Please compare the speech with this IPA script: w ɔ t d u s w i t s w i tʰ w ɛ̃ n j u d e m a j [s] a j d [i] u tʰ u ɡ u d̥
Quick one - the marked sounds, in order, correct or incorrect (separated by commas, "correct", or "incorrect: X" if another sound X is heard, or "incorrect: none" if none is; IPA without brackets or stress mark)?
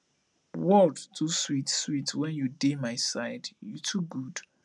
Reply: correct, incorrect: j